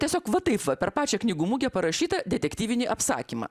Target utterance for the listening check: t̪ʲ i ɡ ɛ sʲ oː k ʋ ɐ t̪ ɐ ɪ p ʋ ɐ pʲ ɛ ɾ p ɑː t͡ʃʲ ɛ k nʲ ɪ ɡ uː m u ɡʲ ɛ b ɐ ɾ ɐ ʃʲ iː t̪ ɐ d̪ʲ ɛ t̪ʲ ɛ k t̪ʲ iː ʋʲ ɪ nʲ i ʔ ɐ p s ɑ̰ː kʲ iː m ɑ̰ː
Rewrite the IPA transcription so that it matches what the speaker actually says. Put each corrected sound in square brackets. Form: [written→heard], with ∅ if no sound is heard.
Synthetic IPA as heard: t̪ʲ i [ɡ→∅] ɛ sʲ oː k ʋ ɐ t̪ ɐ ɪ p ʋ ɐ pʲ ɛ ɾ p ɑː t͡ʃʲ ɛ k nʲ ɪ ɡ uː m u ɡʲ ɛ [b→p] ɐ ɾ ɐ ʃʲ iː t̪ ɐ d̪ʲ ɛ t̪ʲ ɛ k t̪ʲ iː ʋʲ ɪ nʲ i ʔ ɐ p s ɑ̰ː kʲ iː m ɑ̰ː